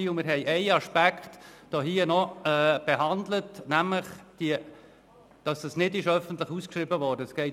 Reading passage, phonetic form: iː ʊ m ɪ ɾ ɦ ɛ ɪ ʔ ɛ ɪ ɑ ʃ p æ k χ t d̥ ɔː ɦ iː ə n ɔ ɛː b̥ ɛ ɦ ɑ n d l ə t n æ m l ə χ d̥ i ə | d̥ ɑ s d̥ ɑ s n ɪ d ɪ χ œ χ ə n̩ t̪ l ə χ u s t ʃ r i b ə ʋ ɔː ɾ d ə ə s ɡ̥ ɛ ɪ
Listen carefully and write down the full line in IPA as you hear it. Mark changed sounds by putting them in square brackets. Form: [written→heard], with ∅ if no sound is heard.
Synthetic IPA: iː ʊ m ɪ ɾ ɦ ɛ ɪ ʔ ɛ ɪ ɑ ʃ p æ k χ t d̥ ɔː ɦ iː ə n ɔ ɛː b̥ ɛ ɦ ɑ n d l ə t n æ m l ə χ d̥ i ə | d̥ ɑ s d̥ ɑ s n ɪ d ɪ [χ→ʃ] œ [χ→f] ə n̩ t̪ l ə χ u s [t→k] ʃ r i b ə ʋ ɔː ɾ d ə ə s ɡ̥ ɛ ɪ

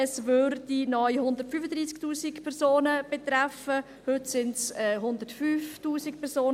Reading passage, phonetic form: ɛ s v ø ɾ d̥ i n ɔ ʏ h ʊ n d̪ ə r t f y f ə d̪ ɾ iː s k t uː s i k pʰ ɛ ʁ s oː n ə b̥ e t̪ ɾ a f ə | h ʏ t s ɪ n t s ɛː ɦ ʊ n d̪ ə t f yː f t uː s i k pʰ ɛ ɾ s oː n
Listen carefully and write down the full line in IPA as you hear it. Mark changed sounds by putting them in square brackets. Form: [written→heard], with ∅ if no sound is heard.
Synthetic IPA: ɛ s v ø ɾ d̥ i n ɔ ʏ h ʊ n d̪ ə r t f y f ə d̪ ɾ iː s k t uː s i k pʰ ɛ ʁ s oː n ə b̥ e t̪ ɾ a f ə | h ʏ t s ɪ n t s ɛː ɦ ʊ n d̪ ə t f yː f t uː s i k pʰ ɛ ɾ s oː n

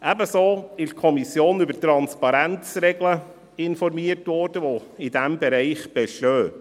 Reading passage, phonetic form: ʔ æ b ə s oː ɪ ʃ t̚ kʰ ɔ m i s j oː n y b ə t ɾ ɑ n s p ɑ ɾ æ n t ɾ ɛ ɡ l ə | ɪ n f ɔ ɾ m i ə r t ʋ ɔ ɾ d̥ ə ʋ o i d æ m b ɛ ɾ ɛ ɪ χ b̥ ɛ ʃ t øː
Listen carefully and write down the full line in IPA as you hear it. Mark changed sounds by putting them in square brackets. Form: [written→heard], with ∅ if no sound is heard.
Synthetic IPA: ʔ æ b ə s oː ɪ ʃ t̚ kʰ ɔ m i s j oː n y b ə t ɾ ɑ n s p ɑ ɾ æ n [t→t͡s] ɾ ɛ ɡ l ə | ɪ n f ɔ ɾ m i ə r t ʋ ɔ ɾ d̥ ə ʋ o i d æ m b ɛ ɾ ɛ ɪ χ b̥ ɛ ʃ t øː

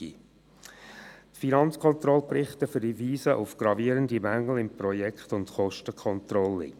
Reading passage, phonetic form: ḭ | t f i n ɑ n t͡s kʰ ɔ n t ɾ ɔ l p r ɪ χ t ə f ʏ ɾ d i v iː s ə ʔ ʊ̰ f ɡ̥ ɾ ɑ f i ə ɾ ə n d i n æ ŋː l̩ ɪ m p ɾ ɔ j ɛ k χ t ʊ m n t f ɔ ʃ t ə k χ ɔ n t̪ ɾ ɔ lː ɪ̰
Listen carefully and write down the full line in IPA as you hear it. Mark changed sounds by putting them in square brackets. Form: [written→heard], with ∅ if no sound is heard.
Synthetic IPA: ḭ | t f i n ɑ n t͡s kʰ ɔ n t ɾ ɔ l p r ɪ χ t ə f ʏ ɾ d i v iː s ə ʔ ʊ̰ f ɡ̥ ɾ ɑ [f→v] i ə ɾ ə n d i [n→m] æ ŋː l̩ ɪ m p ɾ ɔ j ɛ k χ t ʊ [m→∅] n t [f→χ] ɔ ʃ t ə k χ ɔ n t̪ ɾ ɔ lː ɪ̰

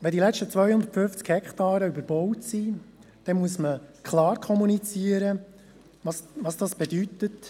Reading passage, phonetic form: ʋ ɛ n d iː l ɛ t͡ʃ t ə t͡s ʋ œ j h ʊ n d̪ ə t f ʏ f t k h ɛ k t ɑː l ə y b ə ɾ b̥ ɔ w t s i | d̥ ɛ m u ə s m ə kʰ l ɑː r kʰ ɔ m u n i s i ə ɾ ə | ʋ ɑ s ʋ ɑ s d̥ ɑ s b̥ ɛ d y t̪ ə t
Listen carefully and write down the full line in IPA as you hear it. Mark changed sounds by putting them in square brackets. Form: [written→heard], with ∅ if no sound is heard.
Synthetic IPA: ʋ ɛ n d [iː→i] l ɛ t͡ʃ t ə t͡s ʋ œ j h ʊ n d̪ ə t f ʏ f [t→t͡s] k h ɛ k t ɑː [l→ɾ] ə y b ə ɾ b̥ ɔ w t s i | d̥ ɛ m u ə s m ə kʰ l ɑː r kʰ ɔ m u n i [s→t͡s] i ə ɾ ə | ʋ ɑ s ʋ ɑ s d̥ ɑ s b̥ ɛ d y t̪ ə t

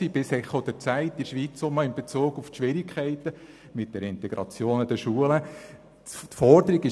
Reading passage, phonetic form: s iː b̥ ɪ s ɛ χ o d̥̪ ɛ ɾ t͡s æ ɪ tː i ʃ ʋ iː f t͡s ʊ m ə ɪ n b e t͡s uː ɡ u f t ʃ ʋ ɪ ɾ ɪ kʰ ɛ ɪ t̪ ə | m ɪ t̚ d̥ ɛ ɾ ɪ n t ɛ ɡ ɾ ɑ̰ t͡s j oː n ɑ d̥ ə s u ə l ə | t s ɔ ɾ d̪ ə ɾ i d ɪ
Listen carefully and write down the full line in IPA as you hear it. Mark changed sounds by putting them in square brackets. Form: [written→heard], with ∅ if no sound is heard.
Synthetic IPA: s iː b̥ ɪ s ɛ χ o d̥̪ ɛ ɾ t͡s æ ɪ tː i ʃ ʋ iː [f→∅] t͡s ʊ m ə ɪ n b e t͡s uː ɡ u f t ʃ ʋ ɪ ɾ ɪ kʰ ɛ ɪ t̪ ə | m ɪ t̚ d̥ ɛ ɾ ɪ n t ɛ ɡ ɾ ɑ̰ t͡s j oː n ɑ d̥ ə [s→ʃ] u ə l ə | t [s→f] ɔ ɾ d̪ ə ɾ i [d→ɡ] ɪ

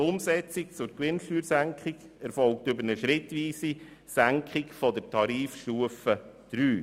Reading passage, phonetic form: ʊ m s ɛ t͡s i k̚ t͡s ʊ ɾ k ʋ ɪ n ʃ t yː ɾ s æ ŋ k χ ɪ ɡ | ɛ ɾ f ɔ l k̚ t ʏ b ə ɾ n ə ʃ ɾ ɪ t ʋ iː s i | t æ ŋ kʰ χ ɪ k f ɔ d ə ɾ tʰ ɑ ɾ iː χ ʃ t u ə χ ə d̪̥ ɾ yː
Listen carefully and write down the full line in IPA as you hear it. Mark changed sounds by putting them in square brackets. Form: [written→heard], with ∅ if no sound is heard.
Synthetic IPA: ʊ m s ɛ t͡s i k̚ t͡s ʊ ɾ k ʋ ɪ n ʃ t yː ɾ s æ ŋ k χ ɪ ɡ | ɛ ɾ f ɔ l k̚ t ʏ b ə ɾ n ə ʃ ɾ ɪ t ʋ iː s i | [t→s] æ ŋ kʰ χ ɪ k f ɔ d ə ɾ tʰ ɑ ɾ iː [χ→f] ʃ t u ə [χ→f] ə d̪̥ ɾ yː

